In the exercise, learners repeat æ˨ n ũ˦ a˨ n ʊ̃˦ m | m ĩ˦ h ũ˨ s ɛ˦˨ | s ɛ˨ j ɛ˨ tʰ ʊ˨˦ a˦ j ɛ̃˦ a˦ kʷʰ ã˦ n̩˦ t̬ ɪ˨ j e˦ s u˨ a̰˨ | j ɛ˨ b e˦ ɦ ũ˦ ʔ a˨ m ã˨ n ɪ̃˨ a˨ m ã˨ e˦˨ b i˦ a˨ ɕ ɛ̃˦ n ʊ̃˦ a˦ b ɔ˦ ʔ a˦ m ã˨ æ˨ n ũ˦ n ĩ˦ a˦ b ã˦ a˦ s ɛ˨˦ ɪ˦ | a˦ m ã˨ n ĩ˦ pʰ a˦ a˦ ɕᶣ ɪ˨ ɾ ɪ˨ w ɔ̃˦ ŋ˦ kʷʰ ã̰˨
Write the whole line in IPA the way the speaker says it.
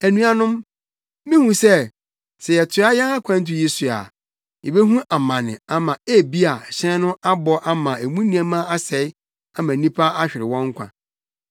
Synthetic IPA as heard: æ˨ n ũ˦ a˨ n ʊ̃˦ m | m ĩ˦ h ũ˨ s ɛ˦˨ | s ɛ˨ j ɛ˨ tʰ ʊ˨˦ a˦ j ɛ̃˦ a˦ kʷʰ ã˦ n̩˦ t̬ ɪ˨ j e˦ s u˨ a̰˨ | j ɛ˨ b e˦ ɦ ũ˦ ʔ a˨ m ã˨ n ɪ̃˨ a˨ m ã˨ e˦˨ b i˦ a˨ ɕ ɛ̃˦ n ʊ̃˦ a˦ b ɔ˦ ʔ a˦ m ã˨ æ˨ m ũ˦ n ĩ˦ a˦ m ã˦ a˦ s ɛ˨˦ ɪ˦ | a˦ m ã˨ n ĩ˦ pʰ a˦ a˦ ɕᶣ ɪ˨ ɾ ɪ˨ w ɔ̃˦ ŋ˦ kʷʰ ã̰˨